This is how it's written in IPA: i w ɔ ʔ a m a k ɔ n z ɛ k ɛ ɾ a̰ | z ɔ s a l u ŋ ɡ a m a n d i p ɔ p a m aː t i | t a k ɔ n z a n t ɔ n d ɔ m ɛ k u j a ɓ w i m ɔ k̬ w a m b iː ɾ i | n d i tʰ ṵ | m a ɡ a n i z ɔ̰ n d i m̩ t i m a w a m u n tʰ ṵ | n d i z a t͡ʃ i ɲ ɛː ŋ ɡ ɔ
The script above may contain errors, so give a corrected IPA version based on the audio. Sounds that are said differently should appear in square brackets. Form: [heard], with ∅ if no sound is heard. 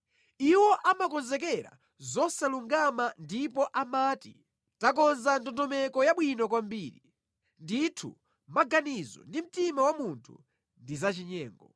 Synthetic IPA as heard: i w ɔ ʔ a m a k ɔ n z ɛ k ɛ ɾ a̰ | z ɔ s a l u ŋ ɡ a m a n d i p ɔ [ʔ] a m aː t i | t a k ɔ n z a n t ɔ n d ɔ m ɛ k [ɔ] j a ɓ w i [n] ɔ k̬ w a m b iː ɾ i | n d i tʰ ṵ | m a ɡ a n i z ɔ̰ n d i m̩ t i m a w a m u n tʰ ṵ | n d i z a t͡ʃ i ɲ ɛː ŋ ɡ ɔ